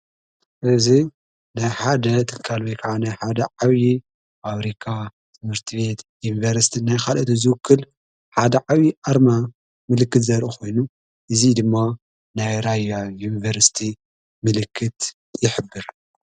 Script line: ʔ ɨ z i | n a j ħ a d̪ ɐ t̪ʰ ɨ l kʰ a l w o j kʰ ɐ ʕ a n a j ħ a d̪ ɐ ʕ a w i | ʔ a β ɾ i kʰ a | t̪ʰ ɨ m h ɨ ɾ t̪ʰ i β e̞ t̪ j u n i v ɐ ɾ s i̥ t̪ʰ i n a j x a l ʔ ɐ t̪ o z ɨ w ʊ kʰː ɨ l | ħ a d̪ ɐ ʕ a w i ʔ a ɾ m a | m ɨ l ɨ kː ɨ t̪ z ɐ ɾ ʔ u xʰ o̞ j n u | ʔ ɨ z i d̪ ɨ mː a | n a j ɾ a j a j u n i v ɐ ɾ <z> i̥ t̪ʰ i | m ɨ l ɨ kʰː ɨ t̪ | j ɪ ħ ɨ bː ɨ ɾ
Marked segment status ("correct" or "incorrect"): incorrect